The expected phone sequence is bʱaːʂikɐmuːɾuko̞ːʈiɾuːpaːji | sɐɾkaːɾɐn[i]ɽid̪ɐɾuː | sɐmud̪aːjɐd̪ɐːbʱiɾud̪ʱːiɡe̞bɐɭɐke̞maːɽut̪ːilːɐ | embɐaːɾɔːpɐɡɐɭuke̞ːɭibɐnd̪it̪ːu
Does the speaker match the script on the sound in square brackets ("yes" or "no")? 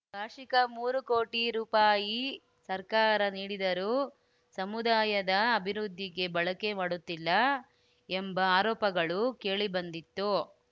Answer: no